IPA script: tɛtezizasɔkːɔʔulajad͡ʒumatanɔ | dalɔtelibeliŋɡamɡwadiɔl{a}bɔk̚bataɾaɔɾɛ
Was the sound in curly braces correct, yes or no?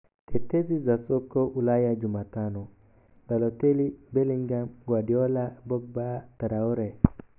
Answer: yes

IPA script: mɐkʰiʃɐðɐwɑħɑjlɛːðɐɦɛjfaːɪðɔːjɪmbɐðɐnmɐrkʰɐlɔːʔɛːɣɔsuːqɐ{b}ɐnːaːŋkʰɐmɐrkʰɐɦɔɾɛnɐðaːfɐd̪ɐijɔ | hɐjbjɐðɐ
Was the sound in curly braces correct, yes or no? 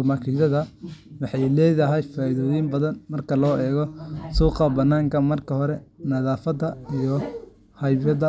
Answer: yes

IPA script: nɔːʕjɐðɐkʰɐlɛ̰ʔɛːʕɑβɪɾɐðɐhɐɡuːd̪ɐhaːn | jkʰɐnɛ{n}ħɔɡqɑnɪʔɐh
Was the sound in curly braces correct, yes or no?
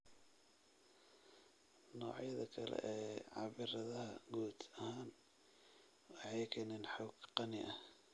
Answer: yes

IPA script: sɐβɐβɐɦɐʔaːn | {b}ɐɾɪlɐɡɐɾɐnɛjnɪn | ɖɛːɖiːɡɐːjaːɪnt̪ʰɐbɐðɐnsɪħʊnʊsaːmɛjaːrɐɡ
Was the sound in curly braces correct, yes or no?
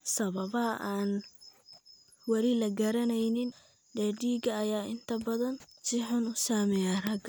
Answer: no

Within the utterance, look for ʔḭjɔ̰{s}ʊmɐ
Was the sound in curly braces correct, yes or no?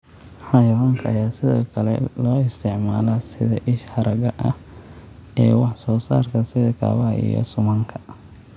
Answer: yes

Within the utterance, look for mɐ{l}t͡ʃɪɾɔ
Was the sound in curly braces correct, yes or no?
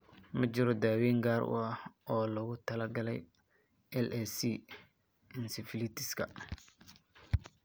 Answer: no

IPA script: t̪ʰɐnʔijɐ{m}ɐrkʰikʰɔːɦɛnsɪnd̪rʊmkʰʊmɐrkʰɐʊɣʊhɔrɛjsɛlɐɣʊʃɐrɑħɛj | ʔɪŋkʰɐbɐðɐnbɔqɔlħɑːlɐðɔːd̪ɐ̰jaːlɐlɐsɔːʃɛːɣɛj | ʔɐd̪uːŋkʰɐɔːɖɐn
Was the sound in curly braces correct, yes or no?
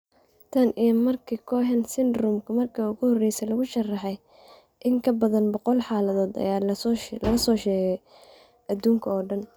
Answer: yes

